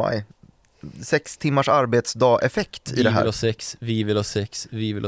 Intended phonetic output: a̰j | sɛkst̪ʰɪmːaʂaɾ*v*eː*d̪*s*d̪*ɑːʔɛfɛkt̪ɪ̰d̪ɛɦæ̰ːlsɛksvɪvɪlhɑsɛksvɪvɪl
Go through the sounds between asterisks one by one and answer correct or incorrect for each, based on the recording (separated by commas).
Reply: incorrect, incorrect, correct